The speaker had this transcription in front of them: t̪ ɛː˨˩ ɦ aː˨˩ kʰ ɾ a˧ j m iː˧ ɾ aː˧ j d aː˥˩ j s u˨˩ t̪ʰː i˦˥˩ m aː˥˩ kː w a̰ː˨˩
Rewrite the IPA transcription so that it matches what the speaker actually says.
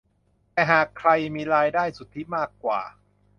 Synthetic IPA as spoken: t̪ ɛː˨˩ ɦ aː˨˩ kʰ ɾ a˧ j m iː˧ ɾ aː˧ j d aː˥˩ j s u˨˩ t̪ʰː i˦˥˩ m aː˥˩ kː w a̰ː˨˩